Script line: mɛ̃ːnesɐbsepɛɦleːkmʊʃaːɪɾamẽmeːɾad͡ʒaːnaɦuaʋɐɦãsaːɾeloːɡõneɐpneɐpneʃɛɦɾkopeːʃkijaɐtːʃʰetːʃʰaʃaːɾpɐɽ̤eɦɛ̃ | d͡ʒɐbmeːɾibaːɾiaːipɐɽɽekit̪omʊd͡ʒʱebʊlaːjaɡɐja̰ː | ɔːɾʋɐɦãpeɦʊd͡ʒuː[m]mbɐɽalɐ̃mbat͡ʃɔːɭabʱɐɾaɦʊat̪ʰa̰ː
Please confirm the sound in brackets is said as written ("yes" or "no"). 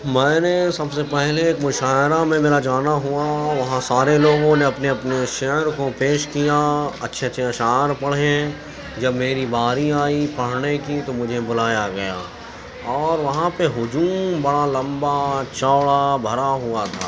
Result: yes